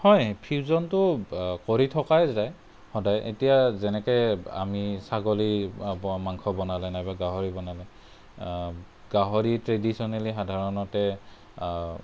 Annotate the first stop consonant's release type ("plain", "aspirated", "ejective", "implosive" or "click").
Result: aspirated